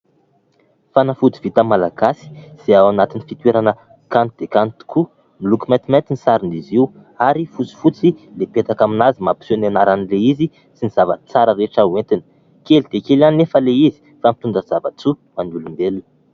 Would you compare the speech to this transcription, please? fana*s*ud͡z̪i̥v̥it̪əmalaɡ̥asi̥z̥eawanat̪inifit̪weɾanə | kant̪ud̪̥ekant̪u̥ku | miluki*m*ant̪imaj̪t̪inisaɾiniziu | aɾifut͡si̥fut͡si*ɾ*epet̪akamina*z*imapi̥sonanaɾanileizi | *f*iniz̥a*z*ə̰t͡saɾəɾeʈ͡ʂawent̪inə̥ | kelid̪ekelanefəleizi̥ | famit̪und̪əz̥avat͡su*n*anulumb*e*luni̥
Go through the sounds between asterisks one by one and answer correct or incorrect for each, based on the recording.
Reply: incorrect: f, correct, incorrect: l, correct, incorrect: s, incorrect: v, incorrect: m, correct

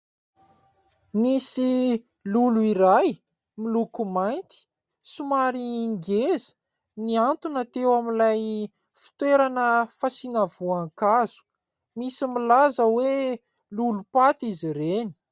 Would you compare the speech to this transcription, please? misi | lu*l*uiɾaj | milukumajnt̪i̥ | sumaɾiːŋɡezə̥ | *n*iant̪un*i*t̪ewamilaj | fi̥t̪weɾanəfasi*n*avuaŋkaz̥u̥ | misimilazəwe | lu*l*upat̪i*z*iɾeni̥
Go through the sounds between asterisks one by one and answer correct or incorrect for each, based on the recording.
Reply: correct, correct, incorrect: a, correct, correct, correct

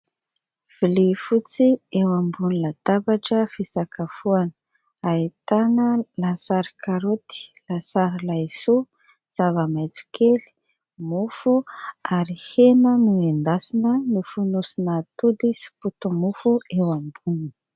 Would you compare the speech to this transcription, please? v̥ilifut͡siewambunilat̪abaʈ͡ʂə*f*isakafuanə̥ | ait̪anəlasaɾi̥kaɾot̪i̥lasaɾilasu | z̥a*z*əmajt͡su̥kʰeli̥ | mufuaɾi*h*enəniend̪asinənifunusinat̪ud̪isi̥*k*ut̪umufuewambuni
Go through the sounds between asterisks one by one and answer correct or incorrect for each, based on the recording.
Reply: correct, incorrect: v, correct, incorrect: p

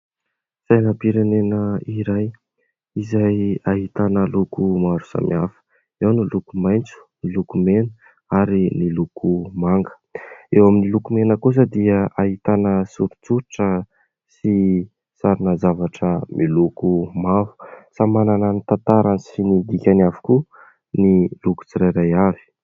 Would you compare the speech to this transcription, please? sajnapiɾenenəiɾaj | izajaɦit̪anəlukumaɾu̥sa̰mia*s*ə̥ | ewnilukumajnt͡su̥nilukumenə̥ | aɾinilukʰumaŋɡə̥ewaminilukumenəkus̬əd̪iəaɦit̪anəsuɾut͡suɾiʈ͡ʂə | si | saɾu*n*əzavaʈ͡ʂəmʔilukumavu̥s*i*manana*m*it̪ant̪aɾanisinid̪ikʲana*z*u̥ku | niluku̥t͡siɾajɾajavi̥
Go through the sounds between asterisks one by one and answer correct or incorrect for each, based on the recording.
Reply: incorrect: f, correct, incorrect: a, incorrect: n, incorrect: v

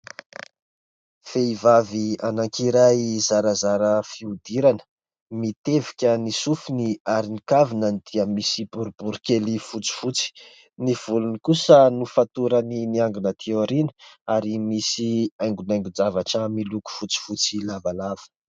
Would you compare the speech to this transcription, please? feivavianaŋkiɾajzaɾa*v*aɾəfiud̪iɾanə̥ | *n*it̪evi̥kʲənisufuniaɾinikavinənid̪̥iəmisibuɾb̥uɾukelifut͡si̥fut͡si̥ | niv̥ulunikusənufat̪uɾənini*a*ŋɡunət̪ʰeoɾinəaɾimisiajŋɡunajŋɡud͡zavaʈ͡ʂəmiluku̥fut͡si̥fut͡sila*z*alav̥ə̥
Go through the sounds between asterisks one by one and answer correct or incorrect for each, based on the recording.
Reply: incorrect: z, incorrect: m, correct, incorrect: v

